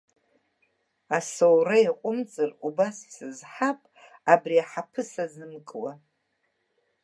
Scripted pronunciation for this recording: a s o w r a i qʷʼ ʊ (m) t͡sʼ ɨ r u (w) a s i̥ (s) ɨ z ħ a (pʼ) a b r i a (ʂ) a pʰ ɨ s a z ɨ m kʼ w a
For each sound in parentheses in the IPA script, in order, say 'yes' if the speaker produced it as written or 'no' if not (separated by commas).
yes, no, yes, yes, no